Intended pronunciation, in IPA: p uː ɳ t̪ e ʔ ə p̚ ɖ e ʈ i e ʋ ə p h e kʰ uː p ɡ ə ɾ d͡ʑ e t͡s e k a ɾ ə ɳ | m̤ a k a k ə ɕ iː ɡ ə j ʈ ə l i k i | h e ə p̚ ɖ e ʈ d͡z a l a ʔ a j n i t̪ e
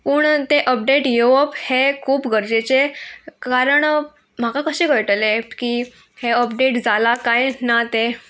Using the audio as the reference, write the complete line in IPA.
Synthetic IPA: p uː ɳ t̪ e ʔ ə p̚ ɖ e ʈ j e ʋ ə p h e kʰ uː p ɡ ə ɾ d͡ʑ e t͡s e k a ɾ ə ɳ | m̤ a k a k ə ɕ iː ɡ ə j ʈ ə l e k i | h e ə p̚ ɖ e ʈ d͡z a l a k a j n a t̪ e

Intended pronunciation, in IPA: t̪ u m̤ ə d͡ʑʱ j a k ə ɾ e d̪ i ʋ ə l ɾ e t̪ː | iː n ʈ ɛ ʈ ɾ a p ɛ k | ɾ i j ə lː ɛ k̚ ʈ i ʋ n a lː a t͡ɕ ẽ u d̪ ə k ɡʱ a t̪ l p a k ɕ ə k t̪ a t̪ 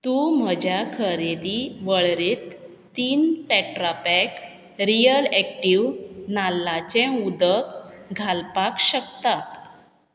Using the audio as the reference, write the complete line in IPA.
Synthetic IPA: t̪ u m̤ ə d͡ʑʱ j a kʰ ə ɾ e d̪ i ʋ ə ɭ ɾ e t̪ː | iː n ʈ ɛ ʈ ɾ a p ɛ k | ɾ i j ə l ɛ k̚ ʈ i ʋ n a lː a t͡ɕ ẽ u d̪ ə k ɡʱ a l p a k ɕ ə k t̪ a t̪

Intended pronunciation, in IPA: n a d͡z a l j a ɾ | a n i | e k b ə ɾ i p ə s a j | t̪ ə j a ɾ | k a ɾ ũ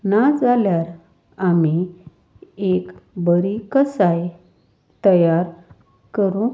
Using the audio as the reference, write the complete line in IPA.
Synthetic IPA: n a d͡z a l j a ɾ | a m i | e k b ə ɾ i k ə s a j | t̪ ə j a ɾ | k ə ɾ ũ

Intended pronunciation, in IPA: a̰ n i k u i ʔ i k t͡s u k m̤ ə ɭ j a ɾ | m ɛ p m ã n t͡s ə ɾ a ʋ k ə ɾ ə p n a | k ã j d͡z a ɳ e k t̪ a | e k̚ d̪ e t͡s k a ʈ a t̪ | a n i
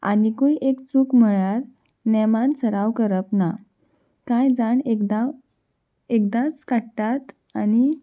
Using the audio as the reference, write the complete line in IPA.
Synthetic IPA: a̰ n i k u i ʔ e k t͡s u k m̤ ə ɭ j a ɾ | n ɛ m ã n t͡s ə ɾ a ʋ k ə ɾ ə p n a | k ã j d͡z a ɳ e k d̪ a | e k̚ d̪ a t͡s k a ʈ a t̪ | a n i

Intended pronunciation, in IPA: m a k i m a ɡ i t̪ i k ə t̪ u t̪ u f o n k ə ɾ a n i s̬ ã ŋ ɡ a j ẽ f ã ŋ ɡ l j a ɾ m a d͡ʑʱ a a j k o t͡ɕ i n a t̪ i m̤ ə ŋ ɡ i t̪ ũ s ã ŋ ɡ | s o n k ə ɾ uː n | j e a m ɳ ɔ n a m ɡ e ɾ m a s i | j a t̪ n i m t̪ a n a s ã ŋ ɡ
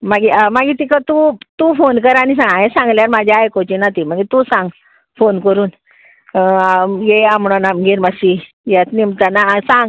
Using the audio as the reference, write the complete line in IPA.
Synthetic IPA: m a ɡ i m a ɡ i t̪ i k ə t̪ u t̪ u f o n k ə ɾ a n i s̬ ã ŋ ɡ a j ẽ s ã ŋ ɡ l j a ɾ m a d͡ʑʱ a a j k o t͡ɕ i n a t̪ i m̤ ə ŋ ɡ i t̪ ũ s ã ŋ ɡ | f o n k ə ɾ uː n | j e a m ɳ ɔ n a m ɡ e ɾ m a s i | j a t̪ n i m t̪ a n a s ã ŋ ɡ

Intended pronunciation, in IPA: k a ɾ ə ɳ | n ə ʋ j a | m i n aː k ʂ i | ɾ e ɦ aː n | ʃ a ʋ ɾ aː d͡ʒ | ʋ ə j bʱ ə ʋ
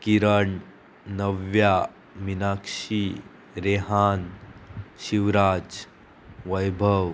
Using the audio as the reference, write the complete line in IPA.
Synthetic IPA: k i ɾ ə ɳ | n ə ʋ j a | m i n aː k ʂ i | ɾ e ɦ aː n | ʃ i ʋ ɾ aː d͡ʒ | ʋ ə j bʱ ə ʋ

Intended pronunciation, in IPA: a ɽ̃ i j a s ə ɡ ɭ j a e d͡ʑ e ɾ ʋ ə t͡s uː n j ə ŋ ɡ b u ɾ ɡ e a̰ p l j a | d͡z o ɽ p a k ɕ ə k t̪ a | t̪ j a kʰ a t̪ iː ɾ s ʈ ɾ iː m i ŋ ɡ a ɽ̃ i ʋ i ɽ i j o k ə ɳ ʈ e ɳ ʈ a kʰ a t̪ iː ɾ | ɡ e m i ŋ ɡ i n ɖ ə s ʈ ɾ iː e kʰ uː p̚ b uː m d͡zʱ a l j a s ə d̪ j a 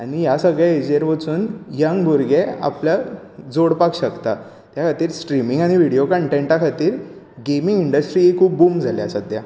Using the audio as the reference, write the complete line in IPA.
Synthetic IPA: a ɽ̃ i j a s ə ɡ ɭ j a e d͡ʑ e ɾ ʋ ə t͡s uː n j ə ŋ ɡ b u ɾ ɡ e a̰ p l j a | d͡z o ɽ p a k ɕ ə k t̪ a | t̪ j a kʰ a t̪ iː ɾ s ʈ ɾ i m i ŋ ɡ a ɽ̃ i ʋ i ɽ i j o k ə ɳ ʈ e ɳ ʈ a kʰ a t̪ iː ɾ | ɡ e m i ŋ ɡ i ɳ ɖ ə s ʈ ɾ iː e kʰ uː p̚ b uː m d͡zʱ a l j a s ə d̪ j a

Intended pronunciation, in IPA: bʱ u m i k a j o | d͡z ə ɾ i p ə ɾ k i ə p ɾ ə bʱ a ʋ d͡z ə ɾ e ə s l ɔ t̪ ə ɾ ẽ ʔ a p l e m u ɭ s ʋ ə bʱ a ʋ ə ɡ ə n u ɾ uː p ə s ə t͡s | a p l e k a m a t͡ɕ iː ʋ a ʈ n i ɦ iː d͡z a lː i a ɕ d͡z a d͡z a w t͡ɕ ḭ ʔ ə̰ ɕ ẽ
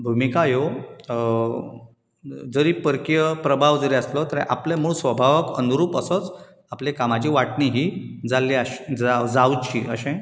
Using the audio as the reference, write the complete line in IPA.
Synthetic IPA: bʱ u m i k a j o | d͡z ə ɾ i p ə ɾ k j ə p ɾ ə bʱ a ʋ d͡z ə ɾ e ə s l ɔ t̪ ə ɾ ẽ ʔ a p l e m u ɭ s ʋ ə bʱ a ʋ ə k ə n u ɾ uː p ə s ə t͡s | a p l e k a m a t͡ɕ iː ʋ a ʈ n i ɦ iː d͡z a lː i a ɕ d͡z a d͡z a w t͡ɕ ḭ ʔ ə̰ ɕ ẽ

